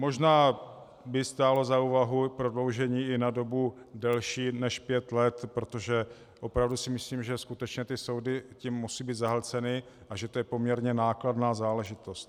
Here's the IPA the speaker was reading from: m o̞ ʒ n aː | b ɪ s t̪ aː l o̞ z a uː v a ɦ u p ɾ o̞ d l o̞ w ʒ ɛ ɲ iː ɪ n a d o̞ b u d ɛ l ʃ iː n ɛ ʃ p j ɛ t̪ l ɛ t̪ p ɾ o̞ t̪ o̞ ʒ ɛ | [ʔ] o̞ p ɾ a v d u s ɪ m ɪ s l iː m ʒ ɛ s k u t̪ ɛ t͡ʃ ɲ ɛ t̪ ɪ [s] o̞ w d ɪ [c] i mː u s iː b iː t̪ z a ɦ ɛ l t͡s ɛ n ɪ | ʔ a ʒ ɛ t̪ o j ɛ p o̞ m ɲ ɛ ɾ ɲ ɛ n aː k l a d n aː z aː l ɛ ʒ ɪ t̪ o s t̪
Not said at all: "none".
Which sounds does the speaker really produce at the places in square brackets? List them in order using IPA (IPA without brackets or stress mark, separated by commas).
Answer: ʔ, s, c